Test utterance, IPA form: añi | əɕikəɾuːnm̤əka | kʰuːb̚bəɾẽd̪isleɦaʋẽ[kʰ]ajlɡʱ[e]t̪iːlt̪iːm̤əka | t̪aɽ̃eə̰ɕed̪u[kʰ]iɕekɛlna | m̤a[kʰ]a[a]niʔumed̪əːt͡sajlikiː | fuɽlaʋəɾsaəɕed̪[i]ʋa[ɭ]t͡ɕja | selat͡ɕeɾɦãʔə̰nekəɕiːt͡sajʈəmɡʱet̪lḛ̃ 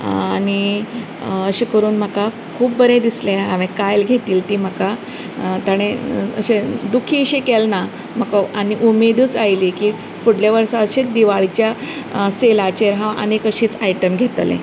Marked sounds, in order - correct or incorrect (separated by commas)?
incorrect, correct, correct, incorrect, correct, correct, correct